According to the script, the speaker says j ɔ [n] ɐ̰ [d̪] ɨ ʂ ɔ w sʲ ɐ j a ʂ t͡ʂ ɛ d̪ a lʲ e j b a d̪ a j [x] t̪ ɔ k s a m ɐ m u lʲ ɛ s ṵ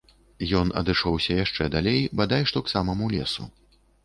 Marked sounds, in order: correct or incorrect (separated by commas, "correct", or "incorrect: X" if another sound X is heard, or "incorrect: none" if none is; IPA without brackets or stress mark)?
correct, correct, incorrect: ʂ